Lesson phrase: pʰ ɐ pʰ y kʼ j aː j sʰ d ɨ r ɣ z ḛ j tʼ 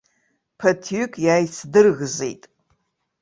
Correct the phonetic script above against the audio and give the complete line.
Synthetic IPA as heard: pʰ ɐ tʰ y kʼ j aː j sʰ d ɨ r ɣ z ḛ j tʼ